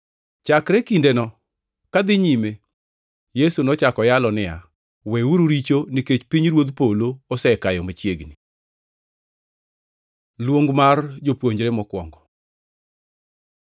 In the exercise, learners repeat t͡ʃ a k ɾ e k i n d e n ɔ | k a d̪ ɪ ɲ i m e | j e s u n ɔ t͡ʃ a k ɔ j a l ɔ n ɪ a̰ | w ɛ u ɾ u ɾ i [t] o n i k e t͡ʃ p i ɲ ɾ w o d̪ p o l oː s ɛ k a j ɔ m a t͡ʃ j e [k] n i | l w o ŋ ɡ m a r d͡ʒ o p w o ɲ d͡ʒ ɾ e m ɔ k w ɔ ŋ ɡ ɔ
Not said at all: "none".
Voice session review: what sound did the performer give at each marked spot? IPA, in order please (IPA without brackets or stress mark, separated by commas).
t͡ʃ, ɡ